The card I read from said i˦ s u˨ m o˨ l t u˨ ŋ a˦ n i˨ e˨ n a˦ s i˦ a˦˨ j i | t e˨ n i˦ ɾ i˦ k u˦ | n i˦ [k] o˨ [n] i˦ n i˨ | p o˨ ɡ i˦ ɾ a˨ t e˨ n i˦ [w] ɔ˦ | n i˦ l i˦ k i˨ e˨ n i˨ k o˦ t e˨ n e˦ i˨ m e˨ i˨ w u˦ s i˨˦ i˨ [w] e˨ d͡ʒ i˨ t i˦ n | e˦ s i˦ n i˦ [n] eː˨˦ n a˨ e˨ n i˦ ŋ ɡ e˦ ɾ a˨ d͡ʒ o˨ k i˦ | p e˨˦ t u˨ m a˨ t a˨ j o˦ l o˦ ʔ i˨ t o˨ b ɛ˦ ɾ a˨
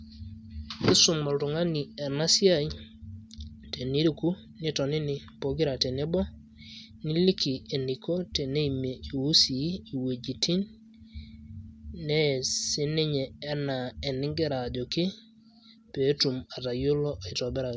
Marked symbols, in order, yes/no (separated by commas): no, yes, no, yes, no